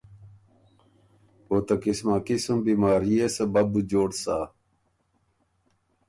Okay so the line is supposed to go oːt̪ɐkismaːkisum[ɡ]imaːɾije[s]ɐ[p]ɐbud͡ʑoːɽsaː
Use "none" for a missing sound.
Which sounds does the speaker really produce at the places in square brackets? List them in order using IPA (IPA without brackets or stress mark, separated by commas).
b, s, b